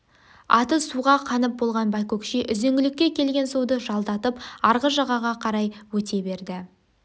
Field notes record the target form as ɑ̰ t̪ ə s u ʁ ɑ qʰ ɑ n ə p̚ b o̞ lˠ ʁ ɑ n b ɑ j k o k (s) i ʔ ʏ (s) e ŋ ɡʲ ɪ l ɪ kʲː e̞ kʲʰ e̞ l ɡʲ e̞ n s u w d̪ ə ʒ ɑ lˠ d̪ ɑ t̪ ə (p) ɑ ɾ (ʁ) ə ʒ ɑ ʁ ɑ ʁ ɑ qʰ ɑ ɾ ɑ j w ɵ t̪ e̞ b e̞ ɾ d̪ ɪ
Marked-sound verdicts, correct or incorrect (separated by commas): incorrect, incorrect, correct, correct